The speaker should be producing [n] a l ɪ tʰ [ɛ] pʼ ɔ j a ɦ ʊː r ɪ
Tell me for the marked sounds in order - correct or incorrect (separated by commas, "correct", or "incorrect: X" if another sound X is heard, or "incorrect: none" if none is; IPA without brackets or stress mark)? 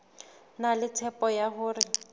correct, correct